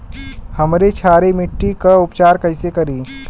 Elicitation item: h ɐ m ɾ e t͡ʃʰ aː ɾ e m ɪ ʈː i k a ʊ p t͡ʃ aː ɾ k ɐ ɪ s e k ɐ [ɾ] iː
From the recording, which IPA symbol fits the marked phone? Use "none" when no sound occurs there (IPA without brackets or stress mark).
ɾ